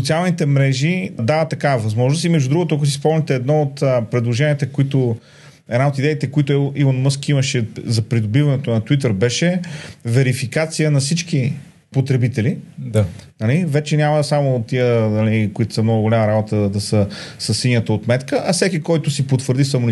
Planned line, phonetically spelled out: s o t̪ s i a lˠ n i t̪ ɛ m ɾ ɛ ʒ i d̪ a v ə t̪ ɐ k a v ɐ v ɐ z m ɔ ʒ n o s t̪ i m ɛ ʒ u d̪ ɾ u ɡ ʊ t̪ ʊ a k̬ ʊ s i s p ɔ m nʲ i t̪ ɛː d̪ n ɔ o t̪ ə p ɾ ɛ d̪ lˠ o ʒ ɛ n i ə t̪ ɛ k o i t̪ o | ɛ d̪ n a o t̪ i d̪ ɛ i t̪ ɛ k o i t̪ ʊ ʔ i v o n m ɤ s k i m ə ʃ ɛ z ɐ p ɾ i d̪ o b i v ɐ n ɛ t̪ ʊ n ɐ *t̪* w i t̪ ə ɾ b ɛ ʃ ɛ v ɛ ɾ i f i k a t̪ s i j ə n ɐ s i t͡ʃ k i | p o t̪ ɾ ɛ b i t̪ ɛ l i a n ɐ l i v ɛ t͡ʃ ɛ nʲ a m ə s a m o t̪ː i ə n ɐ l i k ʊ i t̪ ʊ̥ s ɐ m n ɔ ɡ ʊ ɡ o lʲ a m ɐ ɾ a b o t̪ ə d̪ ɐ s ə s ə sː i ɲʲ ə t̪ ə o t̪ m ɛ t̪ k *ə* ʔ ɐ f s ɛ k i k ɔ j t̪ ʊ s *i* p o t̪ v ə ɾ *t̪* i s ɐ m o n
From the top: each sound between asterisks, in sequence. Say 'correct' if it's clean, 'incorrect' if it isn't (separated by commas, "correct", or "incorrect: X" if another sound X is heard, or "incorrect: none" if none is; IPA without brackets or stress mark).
correct, correct, correct, incorrect: d̪